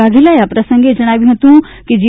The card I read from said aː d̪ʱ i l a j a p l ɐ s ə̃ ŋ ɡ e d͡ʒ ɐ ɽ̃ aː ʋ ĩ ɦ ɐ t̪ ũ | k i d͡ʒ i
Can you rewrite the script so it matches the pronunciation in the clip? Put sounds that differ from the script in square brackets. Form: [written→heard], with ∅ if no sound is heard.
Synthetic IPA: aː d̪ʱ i l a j a p [l→ɾ] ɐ s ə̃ ŋ ɡ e d͡ʒ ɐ ɽ̃ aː ʋ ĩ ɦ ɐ t̪ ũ | k i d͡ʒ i